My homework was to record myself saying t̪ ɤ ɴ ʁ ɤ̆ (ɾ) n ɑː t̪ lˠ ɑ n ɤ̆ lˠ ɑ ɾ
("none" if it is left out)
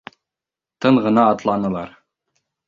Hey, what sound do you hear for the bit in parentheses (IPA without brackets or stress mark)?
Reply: none